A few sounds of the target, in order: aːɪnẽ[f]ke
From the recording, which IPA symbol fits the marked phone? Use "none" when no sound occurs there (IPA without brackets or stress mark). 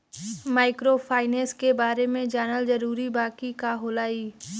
s